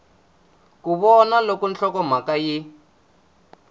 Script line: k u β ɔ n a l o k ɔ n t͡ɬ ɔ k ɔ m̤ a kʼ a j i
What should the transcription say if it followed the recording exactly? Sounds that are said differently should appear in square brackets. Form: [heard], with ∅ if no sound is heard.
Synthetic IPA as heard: k u β ɔ n a l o k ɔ n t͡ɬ ɔ k ɔ m̤ a [k] a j i